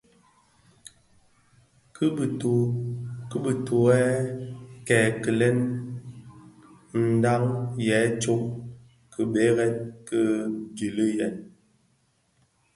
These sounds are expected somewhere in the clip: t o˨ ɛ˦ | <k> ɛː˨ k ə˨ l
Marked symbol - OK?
yes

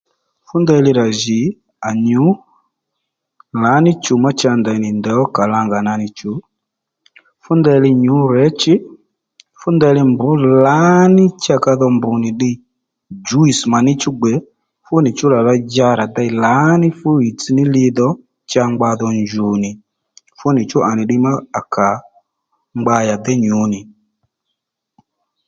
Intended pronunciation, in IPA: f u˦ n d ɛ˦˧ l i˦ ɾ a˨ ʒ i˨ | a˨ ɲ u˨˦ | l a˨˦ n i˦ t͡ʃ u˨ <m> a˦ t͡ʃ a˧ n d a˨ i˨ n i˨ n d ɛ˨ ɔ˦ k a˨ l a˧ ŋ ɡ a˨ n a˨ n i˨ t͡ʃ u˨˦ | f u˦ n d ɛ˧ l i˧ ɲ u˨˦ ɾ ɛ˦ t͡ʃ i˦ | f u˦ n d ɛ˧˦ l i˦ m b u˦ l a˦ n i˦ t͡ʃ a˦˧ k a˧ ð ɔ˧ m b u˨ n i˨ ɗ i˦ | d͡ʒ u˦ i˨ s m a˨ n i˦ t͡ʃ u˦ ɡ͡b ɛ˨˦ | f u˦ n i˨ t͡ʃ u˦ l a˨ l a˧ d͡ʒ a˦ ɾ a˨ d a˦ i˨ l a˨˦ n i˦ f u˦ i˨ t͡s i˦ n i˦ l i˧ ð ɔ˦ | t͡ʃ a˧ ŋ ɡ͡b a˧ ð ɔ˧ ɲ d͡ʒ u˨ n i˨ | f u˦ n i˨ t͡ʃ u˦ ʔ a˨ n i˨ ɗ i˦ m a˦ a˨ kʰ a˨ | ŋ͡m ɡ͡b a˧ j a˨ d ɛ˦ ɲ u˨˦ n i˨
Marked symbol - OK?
yes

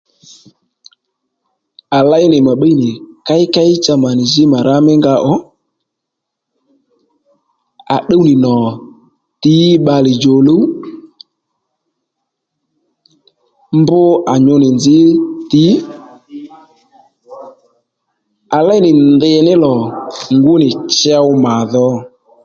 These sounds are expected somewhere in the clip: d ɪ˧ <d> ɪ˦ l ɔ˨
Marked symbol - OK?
no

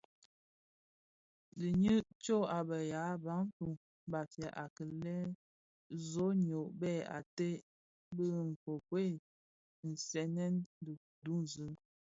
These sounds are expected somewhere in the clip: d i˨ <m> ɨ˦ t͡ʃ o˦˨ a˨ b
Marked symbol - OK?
no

